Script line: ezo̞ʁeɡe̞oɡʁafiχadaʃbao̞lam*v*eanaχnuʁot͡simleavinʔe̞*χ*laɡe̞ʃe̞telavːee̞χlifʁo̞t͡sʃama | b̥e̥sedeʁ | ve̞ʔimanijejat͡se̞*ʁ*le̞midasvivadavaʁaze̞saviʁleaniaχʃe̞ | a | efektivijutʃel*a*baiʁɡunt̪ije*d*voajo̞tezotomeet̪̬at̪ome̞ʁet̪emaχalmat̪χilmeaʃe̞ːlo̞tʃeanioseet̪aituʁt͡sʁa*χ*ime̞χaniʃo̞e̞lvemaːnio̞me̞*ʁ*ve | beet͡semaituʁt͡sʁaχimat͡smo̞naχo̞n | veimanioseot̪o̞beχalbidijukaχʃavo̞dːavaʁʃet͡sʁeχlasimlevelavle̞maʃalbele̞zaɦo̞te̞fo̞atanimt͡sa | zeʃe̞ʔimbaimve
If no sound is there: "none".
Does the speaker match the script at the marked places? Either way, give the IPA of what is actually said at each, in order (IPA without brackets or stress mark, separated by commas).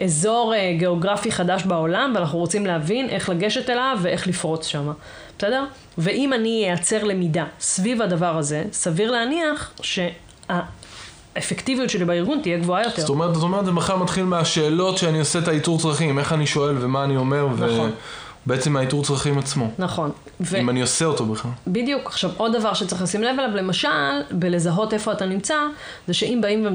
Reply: v, χ, ʁ, i, ɡ, χ, ʁ